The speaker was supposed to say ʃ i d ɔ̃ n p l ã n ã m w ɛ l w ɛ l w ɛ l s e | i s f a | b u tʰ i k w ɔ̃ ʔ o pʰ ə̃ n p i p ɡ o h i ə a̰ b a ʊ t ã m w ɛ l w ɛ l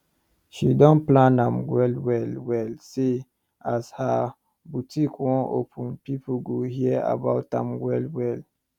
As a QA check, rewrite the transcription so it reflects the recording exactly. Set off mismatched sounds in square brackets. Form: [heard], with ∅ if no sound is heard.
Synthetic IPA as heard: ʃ i d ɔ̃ n p l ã n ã m w ɛ l w ɛ l w ɛ l s e | [a] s [h] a | b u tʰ i k w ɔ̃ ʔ o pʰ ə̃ n p i p ɡ o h i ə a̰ b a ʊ t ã m w ɛ l w ɛ l